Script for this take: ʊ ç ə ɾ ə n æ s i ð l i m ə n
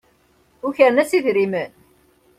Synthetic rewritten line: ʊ ç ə ɾ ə n æ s i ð ɾ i m ə n